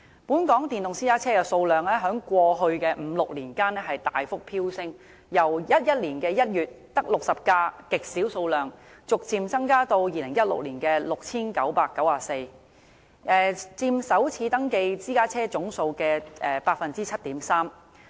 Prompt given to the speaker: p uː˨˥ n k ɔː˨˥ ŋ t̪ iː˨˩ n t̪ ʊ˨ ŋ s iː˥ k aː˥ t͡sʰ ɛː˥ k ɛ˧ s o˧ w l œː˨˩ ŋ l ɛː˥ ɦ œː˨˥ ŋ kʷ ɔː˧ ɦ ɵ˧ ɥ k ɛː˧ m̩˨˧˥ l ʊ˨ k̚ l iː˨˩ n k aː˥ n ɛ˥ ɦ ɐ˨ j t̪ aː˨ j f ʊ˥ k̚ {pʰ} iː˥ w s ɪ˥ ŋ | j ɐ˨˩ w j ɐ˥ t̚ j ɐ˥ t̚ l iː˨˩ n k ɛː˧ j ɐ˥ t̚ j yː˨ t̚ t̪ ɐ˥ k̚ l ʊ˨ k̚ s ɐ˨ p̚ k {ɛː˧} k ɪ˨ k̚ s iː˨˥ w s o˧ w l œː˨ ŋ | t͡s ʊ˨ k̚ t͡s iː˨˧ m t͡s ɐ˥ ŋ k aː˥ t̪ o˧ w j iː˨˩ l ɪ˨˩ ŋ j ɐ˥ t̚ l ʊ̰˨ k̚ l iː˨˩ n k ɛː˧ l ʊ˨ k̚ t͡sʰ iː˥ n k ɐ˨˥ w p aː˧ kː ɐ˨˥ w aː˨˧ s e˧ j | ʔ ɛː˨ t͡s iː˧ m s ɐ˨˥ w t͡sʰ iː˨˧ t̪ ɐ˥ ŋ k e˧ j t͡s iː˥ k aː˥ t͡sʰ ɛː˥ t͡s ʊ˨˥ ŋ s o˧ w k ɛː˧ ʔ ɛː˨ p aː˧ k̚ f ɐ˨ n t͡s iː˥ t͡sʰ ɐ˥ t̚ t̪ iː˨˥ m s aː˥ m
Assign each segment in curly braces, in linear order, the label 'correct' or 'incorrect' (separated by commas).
correct, incorrect